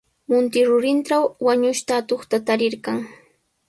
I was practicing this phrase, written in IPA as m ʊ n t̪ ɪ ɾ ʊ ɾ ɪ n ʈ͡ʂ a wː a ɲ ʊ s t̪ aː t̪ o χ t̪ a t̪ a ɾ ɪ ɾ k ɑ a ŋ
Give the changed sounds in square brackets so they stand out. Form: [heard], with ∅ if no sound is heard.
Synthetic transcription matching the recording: m ʊ n t̪ ɪ ɾ ʊ ɾ ɪ n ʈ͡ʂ a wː a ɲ ʊ [ʃ] t̪ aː t̪ o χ t̪ a t̪ a ɾ ɪ ɾ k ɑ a ŋ